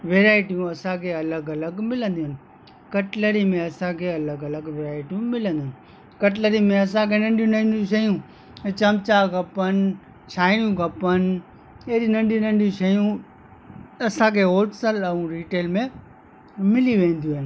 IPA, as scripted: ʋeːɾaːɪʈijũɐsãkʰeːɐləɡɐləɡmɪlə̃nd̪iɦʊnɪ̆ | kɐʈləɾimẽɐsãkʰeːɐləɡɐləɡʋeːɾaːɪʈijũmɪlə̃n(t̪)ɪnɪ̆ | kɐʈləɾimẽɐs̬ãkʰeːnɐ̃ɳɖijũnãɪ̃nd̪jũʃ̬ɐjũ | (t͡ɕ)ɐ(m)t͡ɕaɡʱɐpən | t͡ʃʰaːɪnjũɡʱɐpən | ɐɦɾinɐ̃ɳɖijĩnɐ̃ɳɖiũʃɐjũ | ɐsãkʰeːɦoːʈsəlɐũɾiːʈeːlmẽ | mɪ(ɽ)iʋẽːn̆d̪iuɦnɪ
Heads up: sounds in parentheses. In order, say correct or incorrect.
incorrect: d̪, correct, correct, incorrect: l

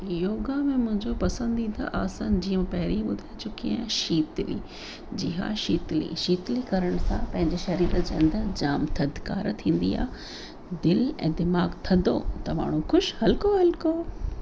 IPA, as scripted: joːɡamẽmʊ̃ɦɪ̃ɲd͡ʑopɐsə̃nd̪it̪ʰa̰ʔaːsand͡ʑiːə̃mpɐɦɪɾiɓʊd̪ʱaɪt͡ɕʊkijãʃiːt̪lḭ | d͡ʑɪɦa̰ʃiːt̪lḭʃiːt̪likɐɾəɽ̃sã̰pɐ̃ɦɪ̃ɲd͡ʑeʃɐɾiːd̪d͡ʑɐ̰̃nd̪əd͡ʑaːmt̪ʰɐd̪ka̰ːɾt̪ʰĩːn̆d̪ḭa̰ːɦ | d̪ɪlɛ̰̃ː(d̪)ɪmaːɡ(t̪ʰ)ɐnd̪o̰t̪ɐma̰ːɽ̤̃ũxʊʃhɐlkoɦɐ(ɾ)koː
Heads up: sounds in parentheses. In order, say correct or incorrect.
correct, correct, incorrect: l

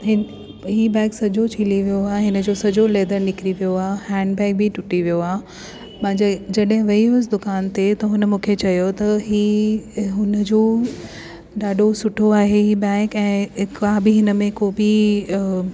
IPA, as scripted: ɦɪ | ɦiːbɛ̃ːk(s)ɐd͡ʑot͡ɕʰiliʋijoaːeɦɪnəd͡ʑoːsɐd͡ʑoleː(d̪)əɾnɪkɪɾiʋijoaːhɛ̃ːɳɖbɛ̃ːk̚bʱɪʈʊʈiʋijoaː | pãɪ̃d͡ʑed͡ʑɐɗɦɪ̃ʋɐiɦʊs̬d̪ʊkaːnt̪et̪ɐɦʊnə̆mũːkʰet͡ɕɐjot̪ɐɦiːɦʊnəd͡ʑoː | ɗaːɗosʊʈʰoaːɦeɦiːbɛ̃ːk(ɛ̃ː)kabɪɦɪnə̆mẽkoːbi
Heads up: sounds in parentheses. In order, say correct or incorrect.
correct, correct, correct

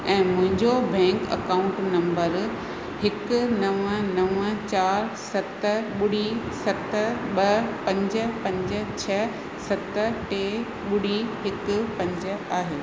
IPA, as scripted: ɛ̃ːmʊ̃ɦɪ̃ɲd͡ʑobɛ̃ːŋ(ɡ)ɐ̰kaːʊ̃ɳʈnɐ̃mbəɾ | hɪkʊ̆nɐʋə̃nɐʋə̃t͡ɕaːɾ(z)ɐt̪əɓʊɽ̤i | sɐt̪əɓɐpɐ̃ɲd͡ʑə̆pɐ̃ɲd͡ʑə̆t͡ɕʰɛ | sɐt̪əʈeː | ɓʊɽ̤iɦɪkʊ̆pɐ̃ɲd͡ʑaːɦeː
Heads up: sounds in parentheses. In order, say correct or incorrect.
incorrect: k, incorrect: s

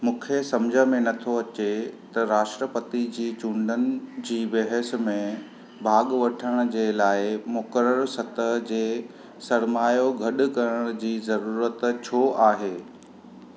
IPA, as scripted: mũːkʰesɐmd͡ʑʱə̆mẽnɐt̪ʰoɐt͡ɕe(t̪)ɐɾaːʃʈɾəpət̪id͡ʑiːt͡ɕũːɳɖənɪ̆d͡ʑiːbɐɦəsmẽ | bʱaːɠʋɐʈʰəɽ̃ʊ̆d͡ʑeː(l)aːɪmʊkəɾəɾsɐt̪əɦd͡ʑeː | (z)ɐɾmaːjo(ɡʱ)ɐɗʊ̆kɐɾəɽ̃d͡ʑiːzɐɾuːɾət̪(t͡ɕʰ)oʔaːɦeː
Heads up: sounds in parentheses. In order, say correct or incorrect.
correct, correct, incorrect: s, correct, correct

